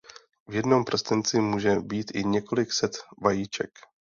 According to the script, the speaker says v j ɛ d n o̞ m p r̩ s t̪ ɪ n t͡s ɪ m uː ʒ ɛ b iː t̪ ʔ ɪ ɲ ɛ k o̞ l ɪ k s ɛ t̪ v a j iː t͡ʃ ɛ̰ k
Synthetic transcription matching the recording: v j ɛ d n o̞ m p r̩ s t̪ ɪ n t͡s ɪ m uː ʒ ɛ b iː t̪ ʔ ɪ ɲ ɛ k o̞ l ɪ k s ɛ t̪ v a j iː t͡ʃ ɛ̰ k